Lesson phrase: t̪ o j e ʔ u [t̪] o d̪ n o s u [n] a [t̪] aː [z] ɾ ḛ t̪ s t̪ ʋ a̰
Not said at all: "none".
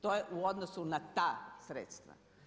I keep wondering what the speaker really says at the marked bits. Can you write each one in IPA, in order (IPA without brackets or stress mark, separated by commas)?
none, n, t̪, s